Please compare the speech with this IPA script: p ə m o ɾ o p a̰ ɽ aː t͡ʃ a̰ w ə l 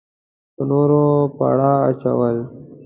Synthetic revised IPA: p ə n o ɾ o p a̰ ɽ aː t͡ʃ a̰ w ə l